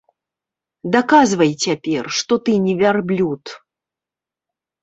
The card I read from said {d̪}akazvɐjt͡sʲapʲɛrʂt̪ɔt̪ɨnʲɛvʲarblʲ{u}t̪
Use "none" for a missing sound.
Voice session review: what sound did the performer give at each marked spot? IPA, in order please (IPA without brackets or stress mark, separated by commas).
d̪, u